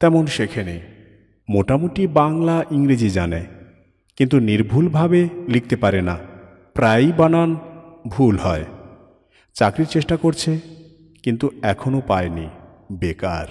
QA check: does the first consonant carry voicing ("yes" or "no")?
no